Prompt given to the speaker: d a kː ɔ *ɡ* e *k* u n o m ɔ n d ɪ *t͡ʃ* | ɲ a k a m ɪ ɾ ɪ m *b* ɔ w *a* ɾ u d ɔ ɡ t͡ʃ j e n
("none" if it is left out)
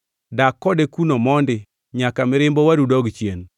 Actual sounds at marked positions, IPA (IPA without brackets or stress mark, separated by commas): d, k, none, b, a